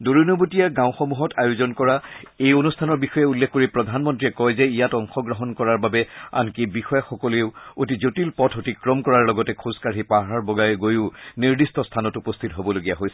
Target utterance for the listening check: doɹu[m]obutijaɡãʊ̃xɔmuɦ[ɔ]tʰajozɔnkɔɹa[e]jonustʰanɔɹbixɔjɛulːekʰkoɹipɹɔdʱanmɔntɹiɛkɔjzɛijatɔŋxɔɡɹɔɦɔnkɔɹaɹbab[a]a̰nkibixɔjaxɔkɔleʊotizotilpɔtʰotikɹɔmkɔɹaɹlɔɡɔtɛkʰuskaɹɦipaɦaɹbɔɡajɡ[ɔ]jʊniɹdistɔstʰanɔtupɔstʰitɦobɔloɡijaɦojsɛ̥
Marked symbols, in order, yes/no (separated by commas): no, yes, yes, no, no